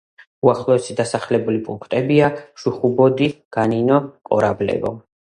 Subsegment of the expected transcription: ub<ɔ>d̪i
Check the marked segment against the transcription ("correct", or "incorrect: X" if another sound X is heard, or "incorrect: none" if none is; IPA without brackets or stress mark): correct